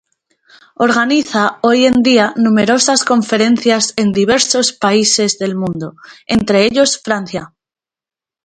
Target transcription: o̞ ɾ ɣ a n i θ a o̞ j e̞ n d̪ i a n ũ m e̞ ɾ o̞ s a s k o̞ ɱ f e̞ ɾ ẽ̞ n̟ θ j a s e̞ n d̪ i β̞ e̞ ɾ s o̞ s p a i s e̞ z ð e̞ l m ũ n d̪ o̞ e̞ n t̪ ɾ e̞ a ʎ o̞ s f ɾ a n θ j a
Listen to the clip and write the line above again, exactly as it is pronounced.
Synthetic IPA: o̞ ɾ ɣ a n i θ a o̞ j e̞ n d̪ i a n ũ m e̞ ɾ o̞ s a s k o̞ ɱ f e̞ ɾ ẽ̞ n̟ θ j a s e̞ n d̪ i β̞ e̞ ɾ s o̞ s p a i s e̞ z ð e̞ l m ũ n d̪ o̞ e̞ n t̪ ɾ e̞ e ʎ o̞ s f ɾ a n θ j a

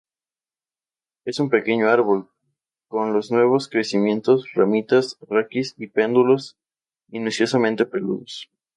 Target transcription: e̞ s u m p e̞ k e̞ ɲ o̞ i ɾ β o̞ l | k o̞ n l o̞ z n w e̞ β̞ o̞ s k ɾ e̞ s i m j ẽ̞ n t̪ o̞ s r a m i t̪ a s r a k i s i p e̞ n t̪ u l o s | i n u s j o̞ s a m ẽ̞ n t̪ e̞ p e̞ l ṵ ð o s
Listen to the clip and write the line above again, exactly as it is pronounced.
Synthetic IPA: e̞ s u m p e̞ k e̞ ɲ o̞ a ɾ β o̞ l | k o̞ n l o̞ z n w e̞ β̞ o̞ s k ɾ e̞ s i m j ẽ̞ n t̪ o̞ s r a m i t̪ a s r a k i s i p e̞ n d̪ u l o s | i n u s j o̞ s a m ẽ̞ n t̪ e̞ p e̞ l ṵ ð o s

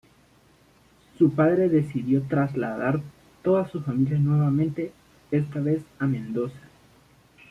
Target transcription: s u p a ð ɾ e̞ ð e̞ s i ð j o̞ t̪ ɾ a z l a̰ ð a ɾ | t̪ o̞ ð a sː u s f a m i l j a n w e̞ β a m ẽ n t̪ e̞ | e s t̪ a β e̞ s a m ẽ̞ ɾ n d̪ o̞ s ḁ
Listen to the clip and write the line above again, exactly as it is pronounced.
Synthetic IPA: s u p a ð ɾ e̞ ð e̞ s i ð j o̞ t̪ ɾ a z l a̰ ð a ɾ | t̪ o̞ ð a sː u s f a m i l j a n w e̞ β a m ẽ n t̪ e̞ | e s t̪ a β e̞ s a m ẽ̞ n d̪ o̞ s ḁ

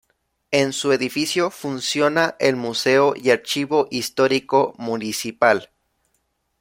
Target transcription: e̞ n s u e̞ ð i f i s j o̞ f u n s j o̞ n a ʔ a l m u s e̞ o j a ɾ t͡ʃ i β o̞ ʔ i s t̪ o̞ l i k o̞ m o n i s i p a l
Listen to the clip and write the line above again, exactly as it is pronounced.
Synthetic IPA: e̞ n s u e̞ ð i f i s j o̞ f u n s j o̞ n a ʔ e l m u s e̞ o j a ɾ t͡ʃ i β o̞ ʔ i s t̪ o̞ ɾ i k o̞ m u n i s i p a l

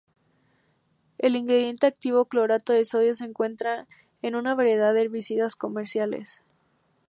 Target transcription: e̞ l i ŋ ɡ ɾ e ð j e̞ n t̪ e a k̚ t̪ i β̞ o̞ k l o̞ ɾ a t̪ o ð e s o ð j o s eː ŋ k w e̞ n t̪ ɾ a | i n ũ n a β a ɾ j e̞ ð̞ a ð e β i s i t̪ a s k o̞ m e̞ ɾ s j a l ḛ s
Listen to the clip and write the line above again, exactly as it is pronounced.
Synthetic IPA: e̞ l i ŋ ɡ ɾ e ð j e̞ n t̪ e a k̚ t̪ i β̞ o̞ k l o̞ ɾ a t̪ o ð e s o ð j o s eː ŋ k w e̞ n t̪ ɾ a | e n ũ n a β a ɾ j e̞ ð̞ a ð e β i s i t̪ a s k o̞ m e̞ ɾ s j a l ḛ s

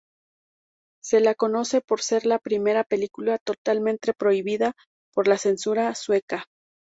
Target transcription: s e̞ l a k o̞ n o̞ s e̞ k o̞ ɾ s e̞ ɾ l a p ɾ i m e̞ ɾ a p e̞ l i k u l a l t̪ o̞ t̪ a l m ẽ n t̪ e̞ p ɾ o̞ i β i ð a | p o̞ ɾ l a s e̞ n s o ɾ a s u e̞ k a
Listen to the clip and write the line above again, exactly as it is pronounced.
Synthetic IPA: s e̞ l a k o̞ n o̞ s e̞ p o̞ ɾ s e̞ ɾ l a p ɾ i m e̞ ɾ a p e̞ l i k u l a t̪ o̞ t̪ a l m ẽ n t̪ e̞ p ɾ o̞ i β i ð a | p o̞ ɾ l a s e̞ n s u ɾ a s w e̞ k a

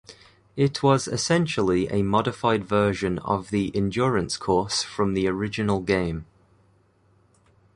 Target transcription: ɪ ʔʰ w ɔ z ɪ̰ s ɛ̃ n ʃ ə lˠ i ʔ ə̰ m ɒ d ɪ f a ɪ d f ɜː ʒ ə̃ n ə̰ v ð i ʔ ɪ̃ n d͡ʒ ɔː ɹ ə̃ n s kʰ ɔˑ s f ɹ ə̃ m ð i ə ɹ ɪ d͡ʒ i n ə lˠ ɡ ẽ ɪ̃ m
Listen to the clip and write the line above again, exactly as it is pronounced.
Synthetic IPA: ɪ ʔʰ w ɒ z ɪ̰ s ɛ̃ n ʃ ə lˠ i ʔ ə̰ m ɒ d ɪ f a ɪ d v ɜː ʒ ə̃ n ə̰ v ð i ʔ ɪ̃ n d͡ʒ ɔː ɹ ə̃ n s kʰ ɔˑ s f ɹ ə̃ m ð i ə ɹ ɪ d͡ʒ ɪ n ə lˠ ɡ ẽ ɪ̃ m

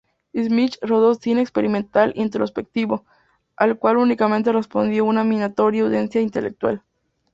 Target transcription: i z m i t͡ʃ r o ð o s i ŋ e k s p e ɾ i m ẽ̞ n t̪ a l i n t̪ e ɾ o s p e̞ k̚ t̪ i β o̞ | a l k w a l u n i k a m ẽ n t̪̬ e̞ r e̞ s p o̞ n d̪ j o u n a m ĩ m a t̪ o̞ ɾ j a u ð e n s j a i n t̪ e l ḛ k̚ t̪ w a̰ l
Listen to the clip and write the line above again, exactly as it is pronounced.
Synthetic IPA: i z m i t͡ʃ r o ð o s i n e k s p e ɾ i m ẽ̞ n t̪ a l i n t̪ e ɾ o s p e̞ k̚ t̪ i β o̞ | a l k w a l u n i k a m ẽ n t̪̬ e̞ r e̞ s p o̞ n d̪ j o u n a m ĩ n a t̪ o̞ ɾ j a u ð e n s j a i n t̪ e l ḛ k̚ t̪ w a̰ l

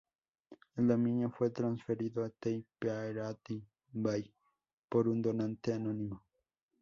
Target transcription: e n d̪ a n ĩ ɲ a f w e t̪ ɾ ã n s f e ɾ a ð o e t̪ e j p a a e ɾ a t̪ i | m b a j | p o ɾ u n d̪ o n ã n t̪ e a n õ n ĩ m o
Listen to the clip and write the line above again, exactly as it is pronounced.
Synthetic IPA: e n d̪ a m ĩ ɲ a f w e t̪ ɾ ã n s f e ɾ i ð o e t̪ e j p e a e ɾ a t̪ i | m b a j | p o ɾ u n d̪ o n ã n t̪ e a n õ n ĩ m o

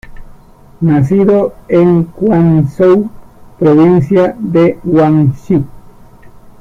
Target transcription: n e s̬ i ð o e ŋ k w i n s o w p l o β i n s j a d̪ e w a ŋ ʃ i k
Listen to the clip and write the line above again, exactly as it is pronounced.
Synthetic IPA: n a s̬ i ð o e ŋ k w a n s o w p ɾ o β i n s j a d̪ e w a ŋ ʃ i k

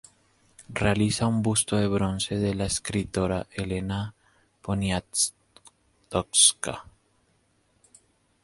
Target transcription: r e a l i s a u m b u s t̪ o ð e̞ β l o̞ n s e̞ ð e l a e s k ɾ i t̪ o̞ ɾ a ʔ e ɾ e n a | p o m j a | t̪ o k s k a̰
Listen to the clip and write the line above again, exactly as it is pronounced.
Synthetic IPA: r e a l i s a u m b u s t̪ o ð e̞ β ɾ o̞ n s e̞ ð e l a e s k ɾ i t̪ o̞ ɾ a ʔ e l e n a | p o n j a | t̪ o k s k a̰

